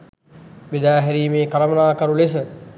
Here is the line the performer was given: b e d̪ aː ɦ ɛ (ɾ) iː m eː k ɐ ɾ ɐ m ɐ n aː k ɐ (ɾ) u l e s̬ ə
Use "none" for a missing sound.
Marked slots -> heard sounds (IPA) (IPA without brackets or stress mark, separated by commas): ɾ, ɾ